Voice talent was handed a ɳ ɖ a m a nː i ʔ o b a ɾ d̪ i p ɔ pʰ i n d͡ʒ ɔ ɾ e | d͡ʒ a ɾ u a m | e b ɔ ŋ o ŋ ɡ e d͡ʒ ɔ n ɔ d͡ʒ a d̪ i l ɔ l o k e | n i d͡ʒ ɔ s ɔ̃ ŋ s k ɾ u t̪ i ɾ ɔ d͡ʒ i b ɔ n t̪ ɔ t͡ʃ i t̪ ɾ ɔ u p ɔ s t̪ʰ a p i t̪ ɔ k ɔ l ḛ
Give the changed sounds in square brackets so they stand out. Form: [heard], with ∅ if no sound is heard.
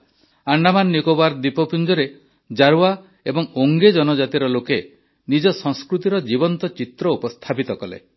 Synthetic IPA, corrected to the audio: a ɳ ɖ a m a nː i [k] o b a ɾ d̪ i p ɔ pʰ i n d͡ʒ ɔ ɾ e | d͡ʒ a ɾ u a [∅] | e b ɔ ŋ o ŋ ɡ e d͡ʒ ɔ n ɔ d͡ʒ a [t̪] i [ɾ] ɔ l o k e | n i d͡ʒ ɔ s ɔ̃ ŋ s k ɾ u t̪ i ɾ ɔ d͡ʒ i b ɔ n t̪ ɔ t͡ʃ i t̪ ɾ ɔ u p ɔ s t̪ʰ a p i t̪ ɔ k ɔ l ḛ